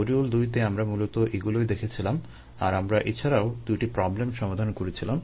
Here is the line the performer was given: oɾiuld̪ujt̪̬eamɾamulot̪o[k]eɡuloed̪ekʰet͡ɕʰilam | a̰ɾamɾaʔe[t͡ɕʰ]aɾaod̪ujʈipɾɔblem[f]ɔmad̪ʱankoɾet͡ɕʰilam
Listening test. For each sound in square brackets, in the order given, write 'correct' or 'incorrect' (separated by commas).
incorrect, correct, incorrect